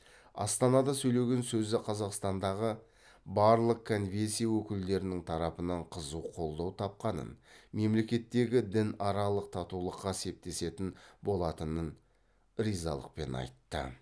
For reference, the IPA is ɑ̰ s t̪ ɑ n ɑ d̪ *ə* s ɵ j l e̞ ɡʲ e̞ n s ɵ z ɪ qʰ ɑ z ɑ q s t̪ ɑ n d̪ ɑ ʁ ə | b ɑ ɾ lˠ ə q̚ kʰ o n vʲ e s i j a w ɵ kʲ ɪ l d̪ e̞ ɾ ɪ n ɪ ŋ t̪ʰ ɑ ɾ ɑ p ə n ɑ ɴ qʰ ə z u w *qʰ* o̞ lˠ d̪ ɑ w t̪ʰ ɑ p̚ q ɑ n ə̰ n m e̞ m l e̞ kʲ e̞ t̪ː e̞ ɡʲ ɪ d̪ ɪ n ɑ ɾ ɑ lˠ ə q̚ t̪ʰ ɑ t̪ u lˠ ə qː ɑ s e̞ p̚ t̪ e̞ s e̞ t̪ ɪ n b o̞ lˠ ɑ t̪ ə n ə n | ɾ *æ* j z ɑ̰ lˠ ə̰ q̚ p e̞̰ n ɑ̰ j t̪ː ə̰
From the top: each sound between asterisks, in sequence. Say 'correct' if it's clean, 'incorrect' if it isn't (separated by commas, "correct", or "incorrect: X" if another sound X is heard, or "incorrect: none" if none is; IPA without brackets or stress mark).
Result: incorrect: ɑ, correct, incorrect: i